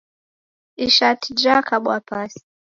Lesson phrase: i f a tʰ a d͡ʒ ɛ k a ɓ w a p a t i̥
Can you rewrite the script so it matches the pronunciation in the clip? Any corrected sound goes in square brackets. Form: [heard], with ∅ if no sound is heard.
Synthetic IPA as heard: i [ʃ] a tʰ [i] d͡ʒ [a] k a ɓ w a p a [s] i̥